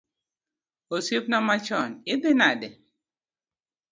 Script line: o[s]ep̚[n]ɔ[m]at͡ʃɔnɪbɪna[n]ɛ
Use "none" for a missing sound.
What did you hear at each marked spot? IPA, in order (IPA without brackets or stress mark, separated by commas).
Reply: s, n, m, d